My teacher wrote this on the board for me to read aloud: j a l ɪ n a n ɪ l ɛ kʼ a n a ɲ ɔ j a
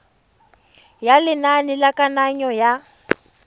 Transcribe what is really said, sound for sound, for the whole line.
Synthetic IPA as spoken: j a l ɪ n a n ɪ l a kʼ a n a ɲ ɔ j a